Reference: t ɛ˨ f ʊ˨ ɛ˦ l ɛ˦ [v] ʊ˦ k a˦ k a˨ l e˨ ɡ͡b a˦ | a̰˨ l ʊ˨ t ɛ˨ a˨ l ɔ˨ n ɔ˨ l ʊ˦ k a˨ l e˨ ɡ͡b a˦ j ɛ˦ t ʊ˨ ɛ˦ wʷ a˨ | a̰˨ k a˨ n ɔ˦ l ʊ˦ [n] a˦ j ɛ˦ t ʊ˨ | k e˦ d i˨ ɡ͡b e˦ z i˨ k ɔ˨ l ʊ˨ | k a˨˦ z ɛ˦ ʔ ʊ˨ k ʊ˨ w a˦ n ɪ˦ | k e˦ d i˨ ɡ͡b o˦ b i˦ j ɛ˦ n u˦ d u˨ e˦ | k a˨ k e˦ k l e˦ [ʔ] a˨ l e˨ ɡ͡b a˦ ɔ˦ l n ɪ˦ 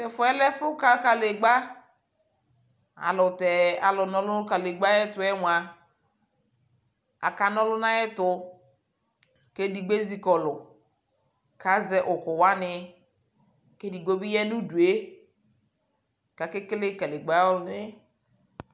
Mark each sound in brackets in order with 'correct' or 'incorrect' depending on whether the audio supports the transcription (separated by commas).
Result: incorrect, correct, incorrect